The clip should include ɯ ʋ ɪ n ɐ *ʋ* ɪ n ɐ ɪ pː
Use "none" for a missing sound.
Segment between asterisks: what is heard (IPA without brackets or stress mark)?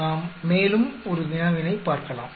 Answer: ʋ